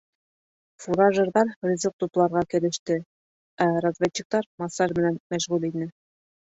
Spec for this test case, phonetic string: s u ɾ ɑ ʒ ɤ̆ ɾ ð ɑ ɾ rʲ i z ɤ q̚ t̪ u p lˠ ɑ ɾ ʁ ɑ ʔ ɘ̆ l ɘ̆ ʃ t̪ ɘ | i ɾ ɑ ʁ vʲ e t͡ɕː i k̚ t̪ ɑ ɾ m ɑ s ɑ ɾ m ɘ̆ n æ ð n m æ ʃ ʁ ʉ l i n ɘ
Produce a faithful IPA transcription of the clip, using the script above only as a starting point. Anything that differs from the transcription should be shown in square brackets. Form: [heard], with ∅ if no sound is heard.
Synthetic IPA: [f] u ɾ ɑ ʒ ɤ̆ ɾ ð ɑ ɾ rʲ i z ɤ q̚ t̪ u p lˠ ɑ ɾ ʁ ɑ [k] ɘ̆ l ɘ̆ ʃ t̪ ɘ | [æ] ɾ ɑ [z] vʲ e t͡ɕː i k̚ t̪ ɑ ɾ m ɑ s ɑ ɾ m ɘ̆ n æ [∅] n m æ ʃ ʁ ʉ l i n ɘ